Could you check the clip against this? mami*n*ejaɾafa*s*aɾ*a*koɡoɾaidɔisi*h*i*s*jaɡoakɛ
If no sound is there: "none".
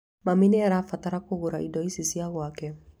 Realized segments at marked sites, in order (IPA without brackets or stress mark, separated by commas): n, t, a, s, none